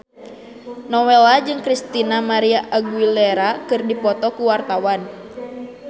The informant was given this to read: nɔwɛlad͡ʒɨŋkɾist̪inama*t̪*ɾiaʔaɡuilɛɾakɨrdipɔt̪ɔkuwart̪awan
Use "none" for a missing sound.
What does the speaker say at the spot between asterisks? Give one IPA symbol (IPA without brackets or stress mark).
none